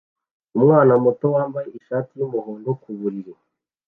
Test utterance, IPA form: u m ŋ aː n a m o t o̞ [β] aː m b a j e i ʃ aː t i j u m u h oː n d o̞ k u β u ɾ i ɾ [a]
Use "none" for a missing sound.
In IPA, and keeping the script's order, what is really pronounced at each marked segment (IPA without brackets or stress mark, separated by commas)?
w, e